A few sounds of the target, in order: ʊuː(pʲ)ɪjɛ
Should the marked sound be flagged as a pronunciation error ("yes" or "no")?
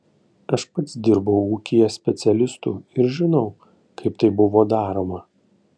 yes